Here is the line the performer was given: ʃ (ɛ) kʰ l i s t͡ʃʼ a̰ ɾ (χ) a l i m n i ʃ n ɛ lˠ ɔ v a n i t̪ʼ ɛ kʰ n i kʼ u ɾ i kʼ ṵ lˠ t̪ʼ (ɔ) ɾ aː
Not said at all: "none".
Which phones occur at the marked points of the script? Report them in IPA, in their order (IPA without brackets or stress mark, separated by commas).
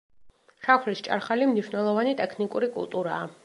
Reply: a, χ, u